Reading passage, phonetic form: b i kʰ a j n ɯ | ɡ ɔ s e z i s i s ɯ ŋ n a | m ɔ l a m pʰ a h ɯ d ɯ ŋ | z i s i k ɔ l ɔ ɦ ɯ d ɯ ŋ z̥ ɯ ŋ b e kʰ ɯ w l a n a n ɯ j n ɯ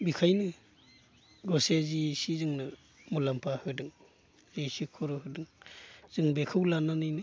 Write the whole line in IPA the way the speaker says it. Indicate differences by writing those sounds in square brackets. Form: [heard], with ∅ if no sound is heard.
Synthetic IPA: b i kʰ a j n ɯ | ɡ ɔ s e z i s i [z] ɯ ŋ n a | m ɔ l a m pʰ a h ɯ d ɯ ŋ | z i s i [kʰ] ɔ [ɾ] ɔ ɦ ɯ d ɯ ŋ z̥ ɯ ŋ b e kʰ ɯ w l a n a n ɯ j n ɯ